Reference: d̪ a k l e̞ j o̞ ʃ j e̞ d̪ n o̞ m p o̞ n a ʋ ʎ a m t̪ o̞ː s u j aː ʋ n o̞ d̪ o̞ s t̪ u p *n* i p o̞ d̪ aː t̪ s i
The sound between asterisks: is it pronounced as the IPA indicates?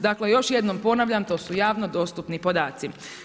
yes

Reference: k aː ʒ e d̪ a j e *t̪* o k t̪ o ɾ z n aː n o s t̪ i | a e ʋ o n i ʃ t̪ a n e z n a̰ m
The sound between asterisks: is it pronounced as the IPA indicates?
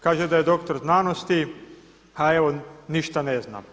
no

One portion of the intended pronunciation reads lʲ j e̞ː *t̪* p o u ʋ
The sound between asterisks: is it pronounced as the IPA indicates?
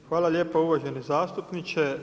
no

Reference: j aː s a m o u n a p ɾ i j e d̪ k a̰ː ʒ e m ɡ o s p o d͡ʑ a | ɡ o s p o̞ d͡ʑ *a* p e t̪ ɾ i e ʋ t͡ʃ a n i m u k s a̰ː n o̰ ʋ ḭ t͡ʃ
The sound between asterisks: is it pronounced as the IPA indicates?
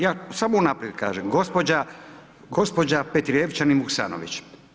yes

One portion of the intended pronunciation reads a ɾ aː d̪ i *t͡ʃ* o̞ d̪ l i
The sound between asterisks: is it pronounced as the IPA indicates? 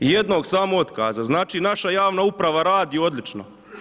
no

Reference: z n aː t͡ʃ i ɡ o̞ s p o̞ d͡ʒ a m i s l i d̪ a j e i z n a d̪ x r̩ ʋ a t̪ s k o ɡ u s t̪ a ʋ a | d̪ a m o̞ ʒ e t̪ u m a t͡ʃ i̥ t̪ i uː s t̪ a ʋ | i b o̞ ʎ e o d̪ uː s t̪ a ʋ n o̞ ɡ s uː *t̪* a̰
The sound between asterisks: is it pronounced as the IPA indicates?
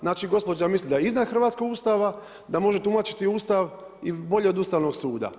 no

